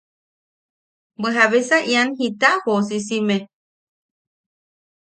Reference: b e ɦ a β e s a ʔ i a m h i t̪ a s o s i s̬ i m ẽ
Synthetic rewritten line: b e ɦ a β e s a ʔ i a n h i t̪ a h o s i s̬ i m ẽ